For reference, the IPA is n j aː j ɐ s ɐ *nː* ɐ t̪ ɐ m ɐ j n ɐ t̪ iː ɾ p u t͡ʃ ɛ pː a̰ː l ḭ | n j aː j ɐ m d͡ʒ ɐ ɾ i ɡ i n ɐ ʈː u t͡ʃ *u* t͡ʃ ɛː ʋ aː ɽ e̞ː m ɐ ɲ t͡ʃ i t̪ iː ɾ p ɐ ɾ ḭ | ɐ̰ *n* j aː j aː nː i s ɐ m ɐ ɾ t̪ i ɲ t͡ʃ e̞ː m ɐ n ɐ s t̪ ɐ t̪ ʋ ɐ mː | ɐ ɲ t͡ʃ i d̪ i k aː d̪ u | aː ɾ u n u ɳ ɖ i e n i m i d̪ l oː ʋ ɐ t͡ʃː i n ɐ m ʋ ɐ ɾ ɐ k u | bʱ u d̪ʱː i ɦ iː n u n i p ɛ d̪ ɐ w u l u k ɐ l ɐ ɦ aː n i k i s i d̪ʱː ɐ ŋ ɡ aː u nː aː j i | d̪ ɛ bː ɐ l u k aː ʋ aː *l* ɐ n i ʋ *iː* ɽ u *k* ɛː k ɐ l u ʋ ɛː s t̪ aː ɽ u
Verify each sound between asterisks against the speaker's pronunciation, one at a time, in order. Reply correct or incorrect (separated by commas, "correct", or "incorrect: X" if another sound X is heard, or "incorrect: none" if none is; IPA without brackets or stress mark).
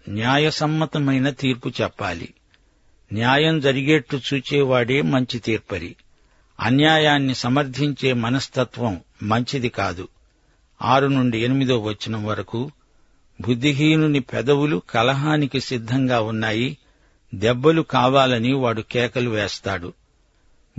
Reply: incorrect: mː, incorrect: uː, correct, correct, incorrect: aː, correct